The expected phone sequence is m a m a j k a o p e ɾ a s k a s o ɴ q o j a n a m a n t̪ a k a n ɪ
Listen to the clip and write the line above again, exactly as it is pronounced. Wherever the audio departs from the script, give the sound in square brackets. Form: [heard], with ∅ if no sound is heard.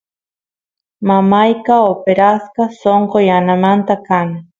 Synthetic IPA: m a m a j k a o p e ɾ a s k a s o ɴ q o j a n a m a n t̪ a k a n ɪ